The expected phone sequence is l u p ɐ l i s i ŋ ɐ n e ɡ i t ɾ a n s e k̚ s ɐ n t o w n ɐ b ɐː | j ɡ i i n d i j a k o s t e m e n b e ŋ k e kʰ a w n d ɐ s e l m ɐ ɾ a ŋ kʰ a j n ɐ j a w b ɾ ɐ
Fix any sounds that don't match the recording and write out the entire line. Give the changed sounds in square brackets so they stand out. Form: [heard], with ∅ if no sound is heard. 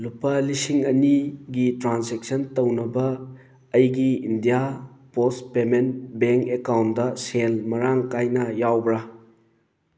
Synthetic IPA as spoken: l u p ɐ l i s i ŋ ɐ n [i] ɡ i t ɾ a n s e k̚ s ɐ n t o w n ɐ b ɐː | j ɡ i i n d i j a [p] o s [p] e m e n b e ŋ k e [k] a w n d ɐ s e l m ɐ ɾ a ŋ [k] a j n ɐ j a w b ɾ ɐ